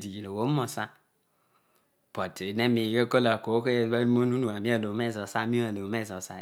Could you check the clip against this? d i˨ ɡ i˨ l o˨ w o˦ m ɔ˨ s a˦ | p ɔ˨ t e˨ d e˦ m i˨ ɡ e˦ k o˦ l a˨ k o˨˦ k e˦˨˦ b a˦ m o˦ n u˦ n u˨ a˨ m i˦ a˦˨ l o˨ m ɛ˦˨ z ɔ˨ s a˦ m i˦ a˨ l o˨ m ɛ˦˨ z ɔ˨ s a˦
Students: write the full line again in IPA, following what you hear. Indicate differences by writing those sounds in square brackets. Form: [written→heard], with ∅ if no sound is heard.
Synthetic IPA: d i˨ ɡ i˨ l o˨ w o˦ m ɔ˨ s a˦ | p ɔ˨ t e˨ [d→n] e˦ m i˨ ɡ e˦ k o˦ l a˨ k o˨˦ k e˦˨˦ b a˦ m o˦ n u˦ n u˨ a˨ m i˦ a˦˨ l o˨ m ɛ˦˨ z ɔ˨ s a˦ m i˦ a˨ l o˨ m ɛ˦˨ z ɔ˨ s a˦